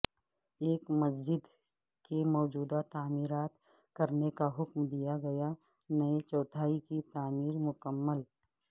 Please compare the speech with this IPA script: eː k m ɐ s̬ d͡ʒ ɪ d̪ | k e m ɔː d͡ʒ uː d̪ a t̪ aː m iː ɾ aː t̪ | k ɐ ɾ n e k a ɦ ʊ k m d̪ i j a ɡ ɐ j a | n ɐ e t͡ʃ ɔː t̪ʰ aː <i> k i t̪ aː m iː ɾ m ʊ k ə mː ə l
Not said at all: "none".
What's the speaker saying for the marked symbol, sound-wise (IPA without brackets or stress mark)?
i